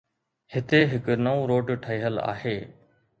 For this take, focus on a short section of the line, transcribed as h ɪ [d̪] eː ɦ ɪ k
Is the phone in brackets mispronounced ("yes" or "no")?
yes